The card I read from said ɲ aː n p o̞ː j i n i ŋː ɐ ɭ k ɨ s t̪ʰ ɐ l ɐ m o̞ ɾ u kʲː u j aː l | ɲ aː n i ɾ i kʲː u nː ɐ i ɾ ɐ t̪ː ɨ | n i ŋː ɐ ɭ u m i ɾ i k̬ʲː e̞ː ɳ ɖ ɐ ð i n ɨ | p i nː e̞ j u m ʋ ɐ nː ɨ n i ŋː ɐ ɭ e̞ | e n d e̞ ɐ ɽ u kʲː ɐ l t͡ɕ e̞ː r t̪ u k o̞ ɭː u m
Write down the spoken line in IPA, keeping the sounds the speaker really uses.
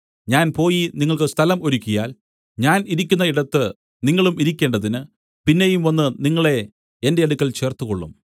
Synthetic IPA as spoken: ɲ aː n p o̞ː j i n i ŋː ɐ ɭ k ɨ s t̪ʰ ɐ l ɐ m o̞ ɾ u kʲː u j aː l | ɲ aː n i ɾ i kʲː u nː ɐ i ɽ ɐ t̪ː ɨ | n i ŋː ɐ ɭ u m i ɾ i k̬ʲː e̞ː ɳ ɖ ɐ ð i n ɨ | p i nː e̞ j u m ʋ ɐ nː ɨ n i ŋː ɐ ɭ e̞ | e n d e̞ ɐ ɽ u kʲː ɐ l t͡ɕ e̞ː r t̪ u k o̞ ɭː u m